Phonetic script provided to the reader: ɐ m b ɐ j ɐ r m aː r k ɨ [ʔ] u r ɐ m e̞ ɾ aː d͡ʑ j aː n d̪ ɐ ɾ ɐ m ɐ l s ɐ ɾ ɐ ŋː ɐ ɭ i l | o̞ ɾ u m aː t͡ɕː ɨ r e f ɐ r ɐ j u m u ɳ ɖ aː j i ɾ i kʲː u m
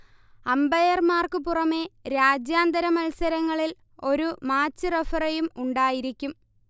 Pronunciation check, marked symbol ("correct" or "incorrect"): incorrect